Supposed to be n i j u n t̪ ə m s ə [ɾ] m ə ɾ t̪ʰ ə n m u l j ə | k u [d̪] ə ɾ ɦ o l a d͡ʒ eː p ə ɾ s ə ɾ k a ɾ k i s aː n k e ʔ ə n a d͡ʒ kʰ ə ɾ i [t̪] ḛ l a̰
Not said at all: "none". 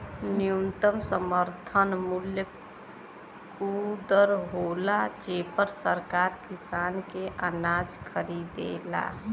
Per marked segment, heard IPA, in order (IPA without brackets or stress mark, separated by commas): none, d̪, d̪